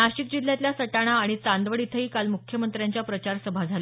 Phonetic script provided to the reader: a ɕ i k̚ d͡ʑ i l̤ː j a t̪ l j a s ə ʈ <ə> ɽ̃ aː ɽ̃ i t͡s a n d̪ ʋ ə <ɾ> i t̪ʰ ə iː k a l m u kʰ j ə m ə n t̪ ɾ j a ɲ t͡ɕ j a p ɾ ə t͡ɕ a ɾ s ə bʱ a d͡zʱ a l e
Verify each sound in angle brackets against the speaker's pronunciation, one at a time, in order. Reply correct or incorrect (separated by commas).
incorrect, incorrect